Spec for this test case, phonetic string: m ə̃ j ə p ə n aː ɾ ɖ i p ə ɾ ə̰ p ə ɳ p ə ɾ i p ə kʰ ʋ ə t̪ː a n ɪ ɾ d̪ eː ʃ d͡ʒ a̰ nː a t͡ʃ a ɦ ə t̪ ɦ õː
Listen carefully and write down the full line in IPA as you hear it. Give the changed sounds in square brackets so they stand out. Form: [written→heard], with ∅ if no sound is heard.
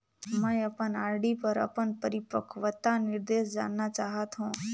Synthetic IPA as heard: m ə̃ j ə p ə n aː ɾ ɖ i p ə ɾ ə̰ p ə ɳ p ə ɾ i p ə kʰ ʋ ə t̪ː a n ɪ ɾ d̪ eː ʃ d͡ʒ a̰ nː a t͡ʃ a ɦ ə t̪ ɦ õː